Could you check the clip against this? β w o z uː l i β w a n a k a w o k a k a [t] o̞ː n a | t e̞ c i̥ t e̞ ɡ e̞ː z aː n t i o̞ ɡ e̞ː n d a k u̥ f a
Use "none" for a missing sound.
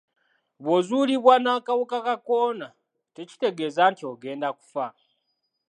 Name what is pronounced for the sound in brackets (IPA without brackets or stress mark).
k